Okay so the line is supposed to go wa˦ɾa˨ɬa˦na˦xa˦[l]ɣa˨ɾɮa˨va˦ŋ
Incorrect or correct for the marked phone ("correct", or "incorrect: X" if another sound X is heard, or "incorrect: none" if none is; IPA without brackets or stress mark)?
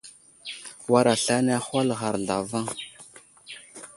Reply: correct